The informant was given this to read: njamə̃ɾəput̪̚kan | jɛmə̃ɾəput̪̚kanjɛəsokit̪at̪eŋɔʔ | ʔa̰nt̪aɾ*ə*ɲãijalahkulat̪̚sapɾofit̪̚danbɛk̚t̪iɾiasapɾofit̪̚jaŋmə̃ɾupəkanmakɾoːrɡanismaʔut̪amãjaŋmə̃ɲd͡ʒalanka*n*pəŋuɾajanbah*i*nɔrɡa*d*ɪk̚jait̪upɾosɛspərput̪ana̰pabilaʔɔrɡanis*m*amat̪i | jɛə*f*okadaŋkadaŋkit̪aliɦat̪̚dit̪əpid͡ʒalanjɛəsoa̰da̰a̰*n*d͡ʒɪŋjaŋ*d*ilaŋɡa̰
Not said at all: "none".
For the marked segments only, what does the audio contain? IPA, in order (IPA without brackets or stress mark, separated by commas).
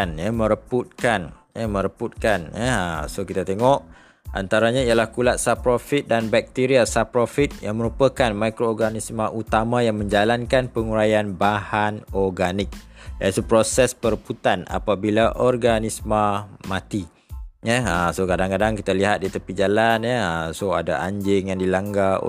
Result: a, n, a, n, m, s, ɲ, d